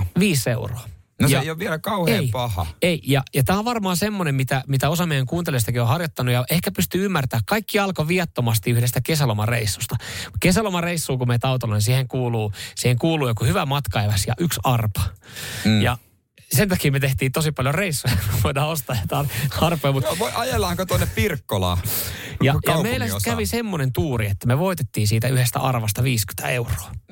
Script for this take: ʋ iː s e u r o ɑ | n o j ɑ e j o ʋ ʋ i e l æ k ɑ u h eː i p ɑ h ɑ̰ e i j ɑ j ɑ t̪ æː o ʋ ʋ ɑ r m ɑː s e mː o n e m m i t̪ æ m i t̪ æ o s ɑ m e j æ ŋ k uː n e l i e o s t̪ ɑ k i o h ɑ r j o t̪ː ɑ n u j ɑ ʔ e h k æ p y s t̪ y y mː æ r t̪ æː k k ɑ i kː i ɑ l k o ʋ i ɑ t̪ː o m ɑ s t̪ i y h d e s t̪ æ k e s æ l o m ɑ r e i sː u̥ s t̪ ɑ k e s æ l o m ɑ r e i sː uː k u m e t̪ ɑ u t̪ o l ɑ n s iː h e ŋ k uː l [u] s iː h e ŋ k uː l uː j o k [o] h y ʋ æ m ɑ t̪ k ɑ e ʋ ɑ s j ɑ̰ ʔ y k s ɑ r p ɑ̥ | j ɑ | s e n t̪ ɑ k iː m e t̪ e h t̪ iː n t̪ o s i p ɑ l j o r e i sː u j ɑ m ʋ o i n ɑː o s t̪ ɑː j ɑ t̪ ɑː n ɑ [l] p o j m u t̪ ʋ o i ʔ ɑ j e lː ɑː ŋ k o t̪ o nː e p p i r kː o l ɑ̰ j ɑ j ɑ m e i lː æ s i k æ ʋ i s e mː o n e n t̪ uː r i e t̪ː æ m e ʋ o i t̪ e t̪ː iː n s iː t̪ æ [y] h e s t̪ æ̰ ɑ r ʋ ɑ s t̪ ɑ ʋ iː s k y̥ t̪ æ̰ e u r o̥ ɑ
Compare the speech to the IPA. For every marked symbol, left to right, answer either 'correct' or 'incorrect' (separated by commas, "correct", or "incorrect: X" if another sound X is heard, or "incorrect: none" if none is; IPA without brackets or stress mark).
incorrect: uː, incorrect: u, incorrect: r, correct